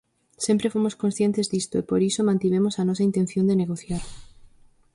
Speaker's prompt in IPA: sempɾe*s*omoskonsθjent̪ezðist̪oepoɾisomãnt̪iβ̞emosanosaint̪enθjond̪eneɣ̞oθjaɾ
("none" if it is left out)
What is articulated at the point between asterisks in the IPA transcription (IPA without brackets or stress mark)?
f